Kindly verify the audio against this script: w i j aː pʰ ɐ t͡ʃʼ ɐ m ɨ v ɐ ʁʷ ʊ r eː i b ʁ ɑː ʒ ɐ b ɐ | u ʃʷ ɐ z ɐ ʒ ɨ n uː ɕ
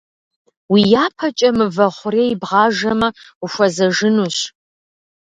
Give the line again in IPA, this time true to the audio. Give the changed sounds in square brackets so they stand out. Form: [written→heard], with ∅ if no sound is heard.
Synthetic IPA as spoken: w i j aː pʰ ɐ t͡ʃʼ ɐ m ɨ v ɐ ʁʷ ʊ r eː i b ʁ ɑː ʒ ɐ [b→m] ɐ | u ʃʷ ɐ z ɐ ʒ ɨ n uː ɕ